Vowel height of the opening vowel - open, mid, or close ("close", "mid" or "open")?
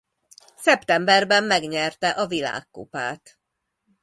mid